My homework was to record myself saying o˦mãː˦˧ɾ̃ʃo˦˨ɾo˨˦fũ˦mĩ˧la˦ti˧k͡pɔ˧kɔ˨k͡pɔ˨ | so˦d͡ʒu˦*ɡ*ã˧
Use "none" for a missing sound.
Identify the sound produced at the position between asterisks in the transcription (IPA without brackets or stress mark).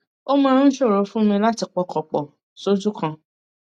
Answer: k